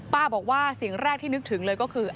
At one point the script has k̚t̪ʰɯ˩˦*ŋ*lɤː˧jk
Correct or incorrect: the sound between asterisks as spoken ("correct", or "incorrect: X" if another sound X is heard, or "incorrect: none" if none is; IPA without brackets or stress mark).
correct